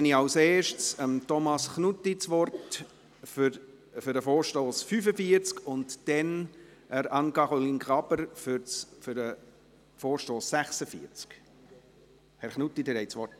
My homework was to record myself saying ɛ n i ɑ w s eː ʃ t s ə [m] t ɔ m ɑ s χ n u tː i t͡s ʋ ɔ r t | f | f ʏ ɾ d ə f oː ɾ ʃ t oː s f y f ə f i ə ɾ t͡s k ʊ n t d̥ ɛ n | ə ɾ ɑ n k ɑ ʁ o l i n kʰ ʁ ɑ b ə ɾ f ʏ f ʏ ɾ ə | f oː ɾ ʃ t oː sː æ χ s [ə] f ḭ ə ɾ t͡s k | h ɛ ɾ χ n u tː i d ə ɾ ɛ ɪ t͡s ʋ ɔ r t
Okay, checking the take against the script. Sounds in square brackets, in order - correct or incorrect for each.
correct, correct

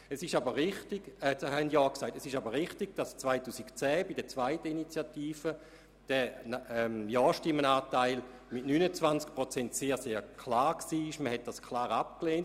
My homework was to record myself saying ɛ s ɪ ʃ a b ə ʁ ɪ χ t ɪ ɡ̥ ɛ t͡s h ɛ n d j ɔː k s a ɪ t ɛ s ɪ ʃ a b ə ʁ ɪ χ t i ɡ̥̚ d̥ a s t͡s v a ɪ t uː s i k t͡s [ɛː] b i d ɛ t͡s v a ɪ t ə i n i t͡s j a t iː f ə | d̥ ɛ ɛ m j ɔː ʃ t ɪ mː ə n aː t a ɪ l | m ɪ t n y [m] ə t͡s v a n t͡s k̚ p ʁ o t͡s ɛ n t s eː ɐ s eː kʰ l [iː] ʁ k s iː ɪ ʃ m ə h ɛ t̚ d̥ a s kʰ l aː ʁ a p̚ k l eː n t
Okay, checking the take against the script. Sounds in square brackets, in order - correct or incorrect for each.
correct, incorrect, incorrect

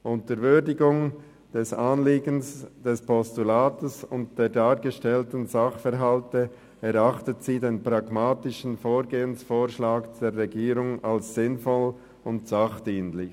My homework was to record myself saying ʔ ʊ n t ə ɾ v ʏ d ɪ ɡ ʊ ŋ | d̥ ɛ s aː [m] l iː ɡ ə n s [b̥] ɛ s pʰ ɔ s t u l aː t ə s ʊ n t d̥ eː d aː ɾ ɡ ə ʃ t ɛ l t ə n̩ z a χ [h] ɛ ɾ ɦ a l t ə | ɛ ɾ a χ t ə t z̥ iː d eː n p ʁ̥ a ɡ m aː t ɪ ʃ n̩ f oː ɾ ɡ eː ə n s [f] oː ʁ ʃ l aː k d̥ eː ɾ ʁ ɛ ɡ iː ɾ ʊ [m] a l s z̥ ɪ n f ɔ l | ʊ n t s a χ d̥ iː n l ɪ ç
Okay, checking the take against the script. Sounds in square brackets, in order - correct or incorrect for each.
incorrect, incorrect, incorrect, correct, incorrect

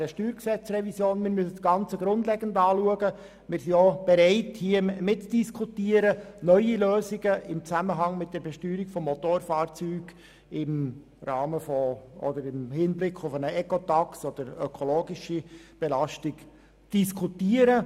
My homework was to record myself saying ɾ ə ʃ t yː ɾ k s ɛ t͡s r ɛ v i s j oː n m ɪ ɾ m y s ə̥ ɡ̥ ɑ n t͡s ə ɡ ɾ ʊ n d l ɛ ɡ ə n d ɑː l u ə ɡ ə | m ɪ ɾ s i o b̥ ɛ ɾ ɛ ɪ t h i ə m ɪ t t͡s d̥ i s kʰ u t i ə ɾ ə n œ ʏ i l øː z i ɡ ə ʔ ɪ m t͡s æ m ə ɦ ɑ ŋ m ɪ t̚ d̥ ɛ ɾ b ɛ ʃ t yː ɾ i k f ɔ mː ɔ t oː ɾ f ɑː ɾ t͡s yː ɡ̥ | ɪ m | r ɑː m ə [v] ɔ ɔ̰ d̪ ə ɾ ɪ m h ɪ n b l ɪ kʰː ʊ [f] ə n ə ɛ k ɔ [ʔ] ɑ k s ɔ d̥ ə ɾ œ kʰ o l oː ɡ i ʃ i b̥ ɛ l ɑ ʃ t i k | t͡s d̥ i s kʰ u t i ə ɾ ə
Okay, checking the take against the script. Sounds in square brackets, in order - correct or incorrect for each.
incorrect, correct, incorrect

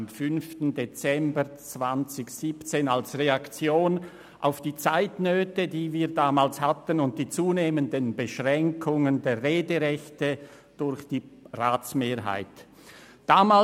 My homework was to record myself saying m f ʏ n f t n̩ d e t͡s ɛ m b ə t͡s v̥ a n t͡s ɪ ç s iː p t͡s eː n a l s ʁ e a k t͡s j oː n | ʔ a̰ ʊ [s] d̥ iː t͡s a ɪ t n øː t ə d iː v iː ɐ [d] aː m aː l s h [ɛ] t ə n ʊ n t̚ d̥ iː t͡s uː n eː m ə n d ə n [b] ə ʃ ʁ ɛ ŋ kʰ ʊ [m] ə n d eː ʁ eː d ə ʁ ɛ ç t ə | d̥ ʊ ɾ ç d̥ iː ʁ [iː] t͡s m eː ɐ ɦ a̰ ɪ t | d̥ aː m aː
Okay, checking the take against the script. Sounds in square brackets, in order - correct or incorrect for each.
incorrect, correct, incorrect, correct, incorrect, incorrect

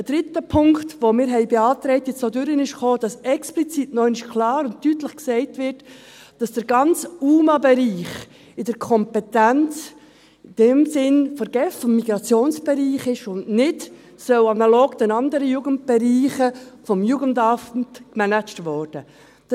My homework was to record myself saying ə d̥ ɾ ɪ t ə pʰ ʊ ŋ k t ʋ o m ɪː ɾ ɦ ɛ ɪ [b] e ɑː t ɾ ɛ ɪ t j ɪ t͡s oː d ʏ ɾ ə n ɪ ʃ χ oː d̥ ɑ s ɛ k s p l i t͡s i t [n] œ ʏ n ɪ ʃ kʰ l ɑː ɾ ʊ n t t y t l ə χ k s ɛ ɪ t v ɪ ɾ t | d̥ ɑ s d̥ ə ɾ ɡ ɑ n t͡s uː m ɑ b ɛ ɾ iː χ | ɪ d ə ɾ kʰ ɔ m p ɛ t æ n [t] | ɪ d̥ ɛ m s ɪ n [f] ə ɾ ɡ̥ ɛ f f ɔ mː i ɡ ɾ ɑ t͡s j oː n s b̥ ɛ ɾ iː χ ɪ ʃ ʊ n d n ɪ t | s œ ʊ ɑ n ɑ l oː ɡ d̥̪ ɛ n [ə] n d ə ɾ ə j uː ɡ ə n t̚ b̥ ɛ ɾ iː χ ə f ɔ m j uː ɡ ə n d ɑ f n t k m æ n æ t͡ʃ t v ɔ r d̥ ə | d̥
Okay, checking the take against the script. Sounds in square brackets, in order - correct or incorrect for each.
correct, correct, incorrect, correct, incorrect

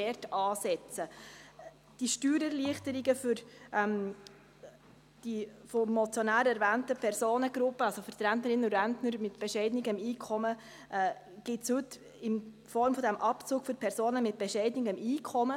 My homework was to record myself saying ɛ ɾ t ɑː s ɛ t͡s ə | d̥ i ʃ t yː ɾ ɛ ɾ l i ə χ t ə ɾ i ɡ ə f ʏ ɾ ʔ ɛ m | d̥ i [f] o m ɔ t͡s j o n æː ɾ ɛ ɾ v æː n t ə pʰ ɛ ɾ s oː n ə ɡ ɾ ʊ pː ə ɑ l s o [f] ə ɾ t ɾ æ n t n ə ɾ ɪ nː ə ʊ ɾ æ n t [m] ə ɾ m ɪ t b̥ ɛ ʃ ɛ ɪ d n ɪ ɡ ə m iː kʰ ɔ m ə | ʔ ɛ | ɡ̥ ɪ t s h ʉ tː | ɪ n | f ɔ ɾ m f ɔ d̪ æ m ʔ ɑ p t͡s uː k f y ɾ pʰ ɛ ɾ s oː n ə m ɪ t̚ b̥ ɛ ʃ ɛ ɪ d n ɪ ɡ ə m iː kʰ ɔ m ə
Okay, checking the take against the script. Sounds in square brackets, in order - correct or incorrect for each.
correct, correct, incorrect

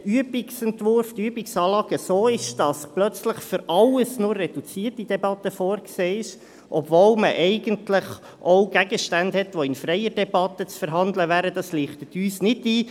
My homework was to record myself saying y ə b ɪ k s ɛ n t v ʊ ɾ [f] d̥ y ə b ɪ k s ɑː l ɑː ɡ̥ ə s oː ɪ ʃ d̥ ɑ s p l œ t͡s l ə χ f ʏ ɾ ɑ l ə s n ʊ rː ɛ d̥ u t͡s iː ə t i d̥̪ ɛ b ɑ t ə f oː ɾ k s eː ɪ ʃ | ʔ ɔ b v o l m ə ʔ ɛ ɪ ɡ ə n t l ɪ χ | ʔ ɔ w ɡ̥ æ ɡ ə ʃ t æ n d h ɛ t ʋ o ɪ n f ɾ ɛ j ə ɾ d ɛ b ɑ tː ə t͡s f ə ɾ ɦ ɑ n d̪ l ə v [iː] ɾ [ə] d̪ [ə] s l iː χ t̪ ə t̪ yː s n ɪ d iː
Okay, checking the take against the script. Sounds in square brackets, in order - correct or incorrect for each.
correct, incorrect, correct, incorrect

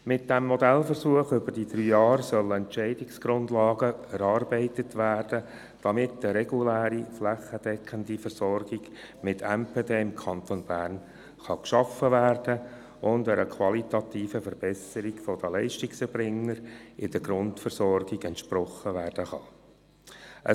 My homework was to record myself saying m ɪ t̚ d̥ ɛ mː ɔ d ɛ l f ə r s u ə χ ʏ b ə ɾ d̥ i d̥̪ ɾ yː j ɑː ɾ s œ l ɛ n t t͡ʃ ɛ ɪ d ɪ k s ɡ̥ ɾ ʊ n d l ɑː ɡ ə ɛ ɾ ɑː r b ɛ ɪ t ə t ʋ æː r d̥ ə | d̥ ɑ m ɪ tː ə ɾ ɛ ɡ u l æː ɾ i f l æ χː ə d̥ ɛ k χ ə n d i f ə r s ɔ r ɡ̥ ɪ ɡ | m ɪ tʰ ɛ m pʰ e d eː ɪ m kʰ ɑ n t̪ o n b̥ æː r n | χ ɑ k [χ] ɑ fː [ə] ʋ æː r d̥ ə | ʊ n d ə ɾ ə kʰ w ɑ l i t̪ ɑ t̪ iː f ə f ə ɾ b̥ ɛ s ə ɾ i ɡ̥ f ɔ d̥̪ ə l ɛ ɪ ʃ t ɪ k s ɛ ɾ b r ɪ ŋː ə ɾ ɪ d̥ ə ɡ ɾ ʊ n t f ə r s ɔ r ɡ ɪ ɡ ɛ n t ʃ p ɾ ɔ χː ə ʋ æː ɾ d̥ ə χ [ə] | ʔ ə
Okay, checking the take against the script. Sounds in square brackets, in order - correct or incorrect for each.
incorrect, correct, incorrect

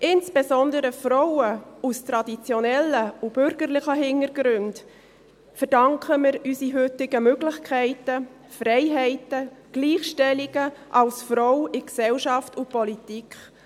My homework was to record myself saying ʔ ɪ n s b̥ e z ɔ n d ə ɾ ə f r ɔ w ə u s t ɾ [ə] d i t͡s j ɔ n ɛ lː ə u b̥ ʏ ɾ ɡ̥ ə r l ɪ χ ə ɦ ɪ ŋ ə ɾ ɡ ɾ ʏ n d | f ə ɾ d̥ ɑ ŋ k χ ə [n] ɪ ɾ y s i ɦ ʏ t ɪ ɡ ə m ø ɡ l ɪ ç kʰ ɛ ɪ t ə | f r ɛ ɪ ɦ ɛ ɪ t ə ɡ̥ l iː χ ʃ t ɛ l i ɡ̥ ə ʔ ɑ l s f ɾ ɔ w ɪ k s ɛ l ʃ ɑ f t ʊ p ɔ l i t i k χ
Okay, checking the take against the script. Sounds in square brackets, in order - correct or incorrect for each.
incorrect, incorrect

